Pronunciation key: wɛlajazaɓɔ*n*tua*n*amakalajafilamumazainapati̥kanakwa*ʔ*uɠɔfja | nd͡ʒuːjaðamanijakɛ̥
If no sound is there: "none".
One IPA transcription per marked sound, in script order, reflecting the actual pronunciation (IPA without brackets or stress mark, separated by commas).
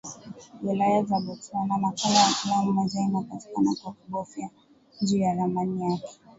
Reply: none, n, k